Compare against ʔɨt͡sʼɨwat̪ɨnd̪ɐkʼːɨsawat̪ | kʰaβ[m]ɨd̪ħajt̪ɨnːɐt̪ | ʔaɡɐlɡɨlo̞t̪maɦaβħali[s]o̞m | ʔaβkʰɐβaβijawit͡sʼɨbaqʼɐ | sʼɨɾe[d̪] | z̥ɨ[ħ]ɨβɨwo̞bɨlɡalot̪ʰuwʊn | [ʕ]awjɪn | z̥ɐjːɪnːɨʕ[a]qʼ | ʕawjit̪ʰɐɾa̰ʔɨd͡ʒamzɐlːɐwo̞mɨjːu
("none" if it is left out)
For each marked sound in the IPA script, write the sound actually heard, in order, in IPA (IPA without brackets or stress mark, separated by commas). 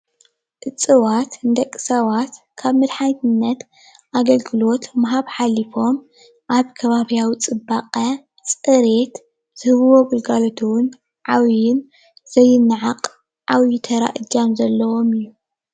m, f, t̪, h, ʕ, a